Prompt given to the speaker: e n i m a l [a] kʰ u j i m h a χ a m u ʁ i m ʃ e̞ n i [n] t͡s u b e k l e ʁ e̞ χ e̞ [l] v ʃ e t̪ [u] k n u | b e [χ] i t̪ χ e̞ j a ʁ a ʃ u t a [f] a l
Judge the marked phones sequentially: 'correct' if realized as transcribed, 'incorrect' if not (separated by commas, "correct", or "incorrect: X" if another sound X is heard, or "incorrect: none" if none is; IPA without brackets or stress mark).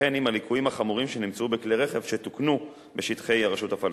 incorrect: i, incorrect: m, incorrect: none, correct, incorrect: ʃ, correct